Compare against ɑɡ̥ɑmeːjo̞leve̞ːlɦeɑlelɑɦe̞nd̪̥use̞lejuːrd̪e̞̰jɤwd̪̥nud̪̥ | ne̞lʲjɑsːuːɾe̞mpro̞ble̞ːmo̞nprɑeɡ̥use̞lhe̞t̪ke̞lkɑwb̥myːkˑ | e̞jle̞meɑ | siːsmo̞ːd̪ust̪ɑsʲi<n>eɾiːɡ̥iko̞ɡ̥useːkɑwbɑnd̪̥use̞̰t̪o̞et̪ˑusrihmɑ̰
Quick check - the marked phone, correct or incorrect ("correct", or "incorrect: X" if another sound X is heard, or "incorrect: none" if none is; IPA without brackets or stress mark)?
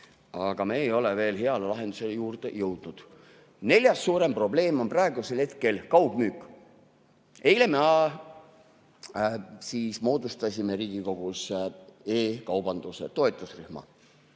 incorrect: m